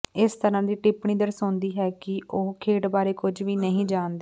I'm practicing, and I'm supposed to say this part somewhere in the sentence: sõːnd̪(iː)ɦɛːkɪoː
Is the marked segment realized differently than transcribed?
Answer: no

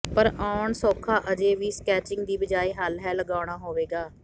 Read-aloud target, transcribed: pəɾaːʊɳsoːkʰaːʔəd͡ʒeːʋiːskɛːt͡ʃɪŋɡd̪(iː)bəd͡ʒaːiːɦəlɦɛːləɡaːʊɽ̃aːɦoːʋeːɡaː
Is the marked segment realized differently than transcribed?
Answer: no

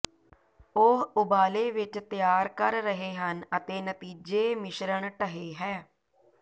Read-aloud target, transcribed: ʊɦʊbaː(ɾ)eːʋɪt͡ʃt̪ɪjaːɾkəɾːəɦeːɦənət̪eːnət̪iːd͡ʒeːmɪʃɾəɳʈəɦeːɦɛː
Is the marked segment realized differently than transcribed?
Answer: yes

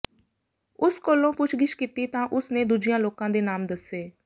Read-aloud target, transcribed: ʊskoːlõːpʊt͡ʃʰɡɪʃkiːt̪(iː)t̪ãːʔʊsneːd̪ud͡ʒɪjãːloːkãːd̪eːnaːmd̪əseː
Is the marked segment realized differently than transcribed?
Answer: no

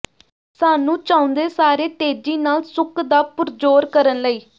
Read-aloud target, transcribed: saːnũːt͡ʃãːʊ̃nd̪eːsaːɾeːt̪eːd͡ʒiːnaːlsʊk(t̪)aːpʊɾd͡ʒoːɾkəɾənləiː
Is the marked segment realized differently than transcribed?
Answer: yes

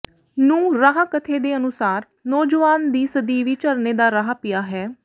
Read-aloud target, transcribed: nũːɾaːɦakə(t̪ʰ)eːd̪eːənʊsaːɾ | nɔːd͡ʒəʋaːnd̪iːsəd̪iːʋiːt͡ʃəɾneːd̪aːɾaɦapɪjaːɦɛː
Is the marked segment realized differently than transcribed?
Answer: no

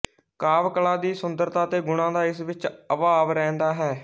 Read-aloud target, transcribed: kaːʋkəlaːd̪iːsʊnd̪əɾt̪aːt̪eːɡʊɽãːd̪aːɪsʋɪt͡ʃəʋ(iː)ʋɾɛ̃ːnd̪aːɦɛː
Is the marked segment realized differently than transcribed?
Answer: yes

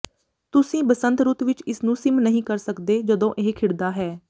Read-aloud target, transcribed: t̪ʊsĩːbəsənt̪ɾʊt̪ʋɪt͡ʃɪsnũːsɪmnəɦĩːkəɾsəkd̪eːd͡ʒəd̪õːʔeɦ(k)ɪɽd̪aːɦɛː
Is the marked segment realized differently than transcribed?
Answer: yes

